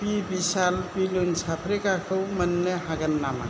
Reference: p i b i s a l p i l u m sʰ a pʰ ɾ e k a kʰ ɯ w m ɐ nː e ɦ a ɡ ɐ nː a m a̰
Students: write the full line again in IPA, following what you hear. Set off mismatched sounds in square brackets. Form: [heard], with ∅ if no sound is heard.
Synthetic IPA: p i b i s a l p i l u [n] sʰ a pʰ ɾ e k a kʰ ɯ w m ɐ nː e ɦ a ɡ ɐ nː a m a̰

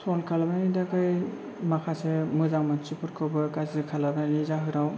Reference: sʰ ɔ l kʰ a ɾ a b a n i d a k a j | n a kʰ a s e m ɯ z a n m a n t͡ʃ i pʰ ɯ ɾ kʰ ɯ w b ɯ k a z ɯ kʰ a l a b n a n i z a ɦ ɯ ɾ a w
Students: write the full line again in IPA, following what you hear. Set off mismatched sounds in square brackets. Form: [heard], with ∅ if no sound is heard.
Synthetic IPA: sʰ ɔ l kʰ a [l] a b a n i d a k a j | [m] a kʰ a s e m ɯ z a [ŋ] m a n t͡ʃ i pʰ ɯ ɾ kʰ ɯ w b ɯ k a z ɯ kʰ a l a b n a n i z a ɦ ɯ ɾ a w

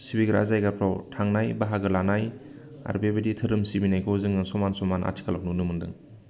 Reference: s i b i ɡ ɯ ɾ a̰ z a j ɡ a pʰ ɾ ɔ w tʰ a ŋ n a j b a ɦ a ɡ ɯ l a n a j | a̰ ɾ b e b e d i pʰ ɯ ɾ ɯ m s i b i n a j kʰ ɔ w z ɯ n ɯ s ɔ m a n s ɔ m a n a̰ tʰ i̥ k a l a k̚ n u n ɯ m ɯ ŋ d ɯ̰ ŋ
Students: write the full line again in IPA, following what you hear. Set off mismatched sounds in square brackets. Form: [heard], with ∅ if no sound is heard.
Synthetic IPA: s i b i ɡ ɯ ɾ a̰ z a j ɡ a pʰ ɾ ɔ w tʰ a ŋ n a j b a ɦ a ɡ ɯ l a n a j | a̰ ɾ b e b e d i [tʰ] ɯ ɾ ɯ m s i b i n a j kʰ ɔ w z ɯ [ŋ] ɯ s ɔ m a n s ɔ m a n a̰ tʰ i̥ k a l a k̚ n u n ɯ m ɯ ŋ d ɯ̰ ŋ

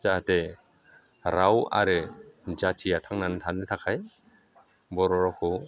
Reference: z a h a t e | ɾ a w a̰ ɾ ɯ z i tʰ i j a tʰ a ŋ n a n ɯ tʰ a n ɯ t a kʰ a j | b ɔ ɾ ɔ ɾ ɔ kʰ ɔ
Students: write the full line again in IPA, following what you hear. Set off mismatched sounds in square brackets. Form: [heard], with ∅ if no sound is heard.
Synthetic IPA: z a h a t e | ɾ a w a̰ ɾ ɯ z [a] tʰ i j a tʰ a ŋ n a n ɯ tʰ a n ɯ [tʰ] a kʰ a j | b ɔ ɾ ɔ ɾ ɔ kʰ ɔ

